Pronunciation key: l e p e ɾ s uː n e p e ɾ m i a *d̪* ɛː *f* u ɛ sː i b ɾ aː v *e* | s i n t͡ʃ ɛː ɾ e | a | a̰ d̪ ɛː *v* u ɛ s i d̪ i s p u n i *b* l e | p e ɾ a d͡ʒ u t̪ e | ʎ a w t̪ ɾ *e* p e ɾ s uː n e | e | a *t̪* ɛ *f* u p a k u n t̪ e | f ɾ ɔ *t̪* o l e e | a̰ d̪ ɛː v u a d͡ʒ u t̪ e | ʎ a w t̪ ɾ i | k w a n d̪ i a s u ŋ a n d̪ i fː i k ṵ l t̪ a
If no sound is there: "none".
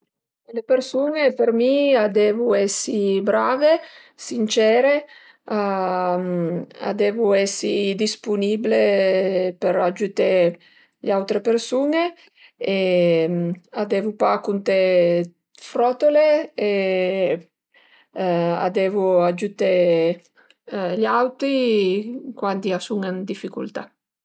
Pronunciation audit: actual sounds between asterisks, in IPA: d̪, v, e, v, b, e, d̪, v, t̪

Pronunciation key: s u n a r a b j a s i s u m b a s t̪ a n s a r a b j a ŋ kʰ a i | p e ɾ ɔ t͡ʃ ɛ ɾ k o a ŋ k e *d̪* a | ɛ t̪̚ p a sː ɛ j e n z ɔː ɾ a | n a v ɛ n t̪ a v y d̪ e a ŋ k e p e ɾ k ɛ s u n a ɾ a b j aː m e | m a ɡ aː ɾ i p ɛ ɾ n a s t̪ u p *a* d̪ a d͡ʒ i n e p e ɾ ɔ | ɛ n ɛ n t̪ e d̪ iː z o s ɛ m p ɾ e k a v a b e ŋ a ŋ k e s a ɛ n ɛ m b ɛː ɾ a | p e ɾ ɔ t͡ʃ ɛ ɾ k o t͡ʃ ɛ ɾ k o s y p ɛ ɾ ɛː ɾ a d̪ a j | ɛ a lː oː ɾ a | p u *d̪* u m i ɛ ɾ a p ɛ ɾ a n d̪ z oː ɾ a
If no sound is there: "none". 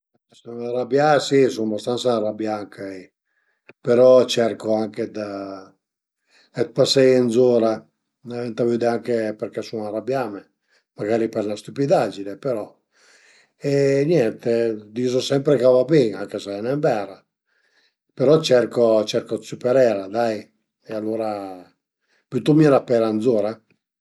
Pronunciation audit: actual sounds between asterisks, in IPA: d̪, i, t̪

